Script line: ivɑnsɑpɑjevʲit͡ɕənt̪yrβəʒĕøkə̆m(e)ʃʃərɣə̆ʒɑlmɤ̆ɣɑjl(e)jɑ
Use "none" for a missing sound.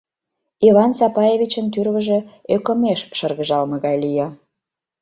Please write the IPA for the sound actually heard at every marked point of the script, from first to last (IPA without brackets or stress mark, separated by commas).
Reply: e, i